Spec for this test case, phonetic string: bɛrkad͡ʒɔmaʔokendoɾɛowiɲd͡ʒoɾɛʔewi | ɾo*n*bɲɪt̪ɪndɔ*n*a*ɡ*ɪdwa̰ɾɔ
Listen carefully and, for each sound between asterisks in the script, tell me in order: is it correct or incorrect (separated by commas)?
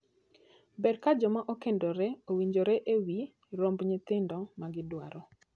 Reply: incorrect, incorrect, correct